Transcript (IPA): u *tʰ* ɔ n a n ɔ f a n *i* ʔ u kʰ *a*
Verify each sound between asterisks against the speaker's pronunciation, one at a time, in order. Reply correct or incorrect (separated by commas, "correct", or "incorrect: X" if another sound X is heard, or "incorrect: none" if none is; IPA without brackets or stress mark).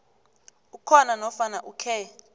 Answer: incorrect: kʰ, incorrect: a, incorrect: ɛ